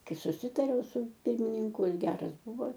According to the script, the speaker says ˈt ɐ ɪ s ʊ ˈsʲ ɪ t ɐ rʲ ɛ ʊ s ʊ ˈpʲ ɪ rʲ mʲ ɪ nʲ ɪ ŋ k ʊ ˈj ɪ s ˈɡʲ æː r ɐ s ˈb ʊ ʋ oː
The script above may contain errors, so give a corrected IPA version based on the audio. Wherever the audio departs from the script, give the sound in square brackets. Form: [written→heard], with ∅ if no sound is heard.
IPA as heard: [ˈt→ˈk] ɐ ɪ s ʊ ˈsʲ ɪ t ɐ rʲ ɛ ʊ s ʊ ˈpʲ ɪ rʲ mʲ ɪ nʲ ɪ ŋ k ʊ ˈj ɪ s ˈɡʲ æː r ɐ s ˈb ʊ ʋ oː